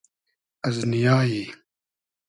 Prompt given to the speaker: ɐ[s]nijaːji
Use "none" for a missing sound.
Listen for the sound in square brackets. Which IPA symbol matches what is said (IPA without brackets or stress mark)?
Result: z